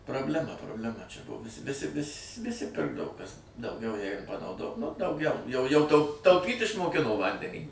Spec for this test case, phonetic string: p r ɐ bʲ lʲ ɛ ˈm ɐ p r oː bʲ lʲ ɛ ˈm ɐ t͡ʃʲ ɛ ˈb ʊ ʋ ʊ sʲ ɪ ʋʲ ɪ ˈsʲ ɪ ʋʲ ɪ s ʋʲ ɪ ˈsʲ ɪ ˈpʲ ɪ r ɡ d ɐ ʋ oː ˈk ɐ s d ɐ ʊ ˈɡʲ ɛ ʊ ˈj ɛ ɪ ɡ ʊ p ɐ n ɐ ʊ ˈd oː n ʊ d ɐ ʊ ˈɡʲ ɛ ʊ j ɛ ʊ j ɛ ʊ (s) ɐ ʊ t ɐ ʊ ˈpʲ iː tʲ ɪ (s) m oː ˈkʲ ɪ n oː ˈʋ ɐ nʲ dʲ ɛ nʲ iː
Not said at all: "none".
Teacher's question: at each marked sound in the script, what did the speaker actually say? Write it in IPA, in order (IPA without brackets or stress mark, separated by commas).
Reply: t, ʃ